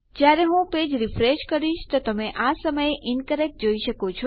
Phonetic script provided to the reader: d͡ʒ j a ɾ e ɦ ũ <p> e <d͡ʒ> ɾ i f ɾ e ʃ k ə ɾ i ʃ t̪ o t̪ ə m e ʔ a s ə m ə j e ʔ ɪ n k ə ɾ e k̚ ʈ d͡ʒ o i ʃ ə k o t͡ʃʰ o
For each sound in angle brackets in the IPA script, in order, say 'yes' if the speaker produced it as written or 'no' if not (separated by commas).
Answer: yes, yes